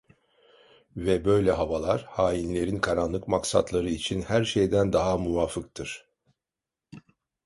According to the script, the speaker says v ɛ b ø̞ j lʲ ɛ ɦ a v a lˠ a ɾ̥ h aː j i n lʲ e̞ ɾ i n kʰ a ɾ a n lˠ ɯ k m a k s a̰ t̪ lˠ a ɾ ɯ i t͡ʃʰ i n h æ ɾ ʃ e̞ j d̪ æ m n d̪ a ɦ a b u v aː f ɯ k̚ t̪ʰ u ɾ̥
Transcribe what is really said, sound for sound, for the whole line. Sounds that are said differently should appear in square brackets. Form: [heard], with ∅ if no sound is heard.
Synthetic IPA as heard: v ɛ b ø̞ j lʲ ɛ ɦ a v a lˠ a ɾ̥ h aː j i n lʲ e̞ ɾ i n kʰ a ɾ a n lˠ ɯ k m a k s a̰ t̪ lˠ a ɾ ɯ i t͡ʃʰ i n h æ ɾ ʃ e̞ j d̪ æ [∅] n d̪ a ɦ a [m] u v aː f ɯ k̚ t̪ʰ [ɯ] ɾ̥